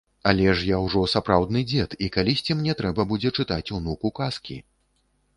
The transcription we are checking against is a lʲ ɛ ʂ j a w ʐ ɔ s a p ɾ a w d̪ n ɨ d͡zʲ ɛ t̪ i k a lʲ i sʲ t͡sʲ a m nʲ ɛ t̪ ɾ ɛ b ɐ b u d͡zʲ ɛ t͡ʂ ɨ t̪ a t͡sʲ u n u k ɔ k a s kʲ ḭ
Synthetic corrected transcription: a lʲ ɛ ʂ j a w ʐ ɔ s a p ɾ a w d̪ n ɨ d͡zʲ ɛ t̪ i k a lʲ i sʲ t͡sʲ i m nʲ ɛ t̪ ɾ ɛ b ɐ b u d͡zʲ ɛ t͡ʂ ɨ t̪ a t͡sʲ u n u k u k a s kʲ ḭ

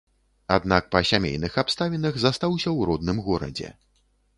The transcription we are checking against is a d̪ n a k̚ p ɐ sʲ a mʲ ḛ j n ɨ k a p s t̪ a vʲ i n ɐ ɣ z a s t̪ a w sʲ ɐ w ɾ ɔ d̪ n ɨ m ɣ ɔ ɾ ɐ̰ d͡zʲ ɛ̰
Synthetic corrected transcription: a d̪ n a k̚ p ɐ sʲ a mʲ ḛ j n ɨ x a p s t̪ a vʲ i n ɐ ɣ z a s t̪ a w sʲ ɐ w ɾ ɔ d̪ n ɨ m ɣ ɔ ɾ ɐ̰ d͡zʲ ɛ̰

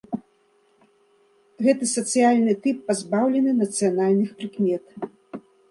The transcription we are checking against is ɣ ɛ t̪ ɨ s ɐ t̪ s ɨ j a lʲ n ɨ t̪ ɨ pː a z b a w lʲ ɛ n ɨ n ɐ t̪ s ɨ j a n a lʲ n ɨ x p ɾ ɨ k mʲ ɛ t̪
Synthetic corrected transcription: ɣ ɛ t̪ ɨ s ɐ t̪ s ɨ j a lʲ n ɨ t̪ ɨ pː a z b a w lʲ ɛ n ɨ n ɐ t̪ s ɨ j a n a lʲ n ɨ x p ɾ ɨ k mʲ ɛ t̪

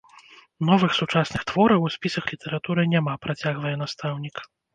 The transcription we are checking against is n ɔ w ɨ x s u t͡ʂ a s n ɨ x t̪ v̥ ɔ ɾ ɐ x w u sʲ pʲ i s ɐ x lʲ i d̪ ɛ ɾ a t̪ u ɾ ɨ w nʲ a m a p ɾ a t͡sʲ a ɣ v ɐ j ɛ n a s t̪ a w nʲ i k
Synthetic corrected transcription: n ɔ v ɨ x s u t͡ʂ a s n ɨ x t̪ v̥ ɔ ɾ ɐ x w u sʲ pʲ i s ɐ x lʲ i t̪ ɛ ɾ a t̪ u ɾ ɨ nʲ a m a p ɾ a t͡sʲ a ɣ v ɐ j ɛ n a s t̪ a w nʲ i k

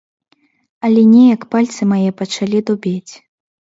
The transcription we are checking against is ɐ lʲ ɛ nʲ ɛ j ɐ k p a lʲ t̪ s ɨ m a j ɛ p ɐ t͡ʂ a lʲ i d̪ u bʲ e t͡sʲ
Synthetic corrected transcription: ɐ lʲ ɛ nʲ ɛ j ɐ k p a lʲ t̪ s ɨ m a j ɛ p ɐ t͡ʂ a lʲ i d̪ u bʲ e t͡sʲ

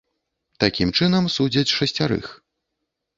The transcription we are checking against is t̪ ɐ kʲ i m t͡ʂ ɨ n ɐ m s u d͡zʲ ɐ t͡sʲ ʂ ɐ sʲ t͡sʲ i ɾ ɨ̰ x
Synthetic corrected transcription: t̪ a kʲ i m t͡ʂ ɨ n ɐ m s u d͡zʲ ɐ t͡sʲ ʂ ɐ sʲ t͡sʲ a ɾ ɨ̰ x

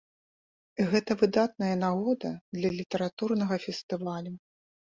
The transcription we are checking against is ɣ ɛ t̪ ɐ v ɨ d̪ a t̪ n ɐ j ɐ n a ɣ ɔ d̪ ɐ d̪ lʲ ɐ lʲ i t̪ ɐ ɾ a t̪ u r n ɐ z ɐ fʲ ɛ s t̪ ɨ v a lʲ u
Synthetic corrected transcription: ɣ ɛ t̪ ɐ v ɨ d̪ a t̪ n ɐ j ɐ n a ɣ ɔ d̪ ɐ d̪ lʲ ɐ lʲ i t̪ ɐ ɾ a t̪ u r n ɐ ɣ ɐ fʲ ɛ s t̪ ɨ v a lʲ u

